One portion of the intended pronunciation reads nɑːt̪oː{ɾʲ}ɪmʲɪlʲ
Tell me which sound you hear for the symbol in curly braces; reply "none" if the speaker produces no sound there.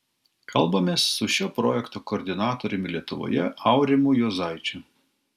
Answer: ɾʲ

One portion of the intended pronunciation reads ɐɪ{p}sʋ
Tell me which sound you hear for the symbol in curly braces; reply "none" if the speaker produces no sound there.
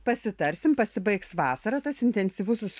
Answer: k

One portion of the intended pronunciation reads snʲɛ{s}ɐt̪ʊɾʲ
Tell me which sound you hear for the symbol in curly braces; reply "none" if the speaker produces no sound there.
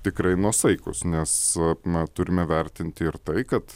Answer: s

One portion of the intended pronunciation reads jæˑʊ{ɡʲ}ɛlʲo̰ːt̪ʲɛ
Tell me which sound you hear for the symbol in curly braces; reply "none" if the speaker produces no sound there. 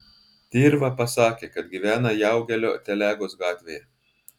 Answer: ɡʲ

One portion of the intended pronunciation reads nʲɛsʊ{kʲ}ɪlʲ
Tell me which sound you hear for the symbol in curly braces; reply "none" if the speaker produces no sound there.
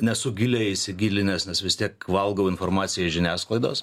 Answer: ɡʲ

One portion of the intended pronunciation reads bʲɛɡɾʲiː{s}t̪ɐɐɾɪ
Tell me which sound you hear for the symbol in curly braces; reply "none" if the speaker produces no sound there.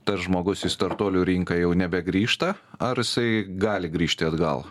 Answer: ʃ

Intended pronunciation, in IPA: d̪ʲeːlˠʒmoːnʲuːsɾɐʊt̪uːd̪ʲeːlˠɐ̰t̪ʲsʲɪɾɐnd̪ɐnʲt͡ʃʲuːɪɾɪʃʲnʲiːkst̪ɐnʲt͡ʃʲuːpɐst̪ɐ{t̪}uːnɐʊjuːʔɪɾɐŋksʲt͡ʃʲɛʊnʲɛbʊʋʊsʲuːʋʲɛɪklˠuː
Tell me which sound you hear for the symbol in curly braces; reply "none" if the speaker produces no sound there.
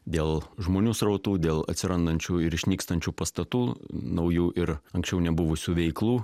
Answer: t̪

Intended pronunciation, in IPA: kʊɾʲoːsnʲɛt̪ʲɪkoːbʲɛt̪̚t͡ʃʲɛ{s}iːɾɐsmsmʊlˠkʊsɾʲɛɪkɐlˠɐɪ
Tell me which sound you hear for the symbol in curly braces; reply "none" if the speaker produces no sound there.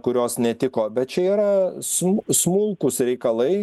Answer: none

